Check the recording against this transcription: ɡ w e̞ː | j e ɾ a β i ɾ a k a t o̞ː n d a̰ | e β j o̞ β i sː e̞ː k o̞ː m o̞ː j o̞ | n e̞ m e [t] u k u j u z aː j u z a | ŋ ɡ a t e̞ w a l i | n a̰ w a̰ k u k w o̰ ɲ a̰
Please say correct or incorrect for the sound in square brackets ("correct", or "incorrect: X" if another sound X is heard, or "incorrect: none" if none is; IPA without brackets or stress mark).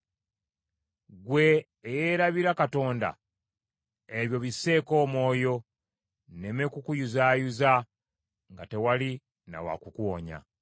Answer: incorrect: k